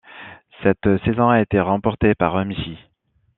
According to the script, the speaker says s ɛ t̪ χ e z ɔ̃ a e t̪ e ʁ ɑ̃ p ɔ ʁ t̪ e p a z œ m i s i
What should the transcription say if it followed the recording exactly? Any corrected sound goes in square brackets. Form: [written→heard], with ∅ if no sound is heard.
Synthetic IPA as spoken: s ɛ t̪ [χ→s] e z ɔ̃ a e t̪ e ʁ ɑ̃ p ɔ ʁ t̪ e p a [z→ʁ] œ m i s i